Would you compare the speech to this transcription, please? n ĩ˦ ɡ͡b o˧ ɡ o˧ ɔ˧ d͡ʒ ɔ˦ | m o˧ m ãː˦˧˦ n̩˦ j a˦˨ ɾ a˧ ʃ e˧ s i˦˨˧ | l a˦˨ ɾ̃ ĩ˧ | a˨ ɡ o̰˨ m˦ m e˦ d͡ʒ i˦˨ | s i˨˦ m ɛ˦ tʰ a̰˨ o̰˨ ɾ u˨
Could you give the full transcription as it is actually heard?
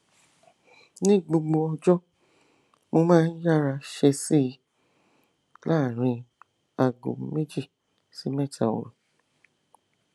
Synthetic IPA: n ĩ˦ ɡ͡b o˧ ɡ͡b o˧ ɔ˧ d͡ʒ ɔ˦ | m o˧ m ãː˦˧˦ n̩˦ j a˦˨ ɾ a˧ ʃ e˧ s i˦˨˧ | l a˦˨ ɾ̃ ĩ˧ | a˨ ɡ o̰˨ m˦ m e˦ d͡ʒ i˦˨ | s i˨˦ m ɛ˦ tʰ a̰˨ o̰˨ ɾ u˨